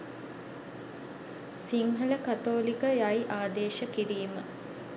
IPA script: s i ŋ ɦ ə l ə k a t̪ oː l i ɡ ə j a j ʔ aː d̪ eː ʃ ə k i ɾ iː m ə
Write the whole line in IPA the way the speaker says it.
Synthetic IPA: s i ŋ ɦ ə l ə k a t̪ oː l i k ə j a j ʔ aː d̪ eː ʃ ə k i ɾ iː m ə